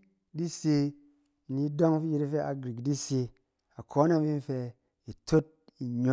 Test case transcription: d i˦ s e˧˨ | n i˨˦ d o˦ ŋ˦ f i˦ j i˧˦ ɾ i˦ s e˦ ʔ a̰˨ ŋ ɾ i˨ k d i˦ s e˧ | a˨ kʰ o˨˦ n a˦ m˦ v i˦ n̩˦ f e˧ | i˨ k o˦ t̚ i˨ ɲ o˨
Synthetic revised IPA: d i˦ s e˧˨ | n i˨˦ d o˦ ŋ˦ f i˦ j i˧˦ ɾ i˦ f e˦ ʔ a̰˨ ɡ ɾ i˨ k d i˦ s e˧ | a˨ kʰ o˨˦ n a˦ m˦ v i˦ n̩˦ f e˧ | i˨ t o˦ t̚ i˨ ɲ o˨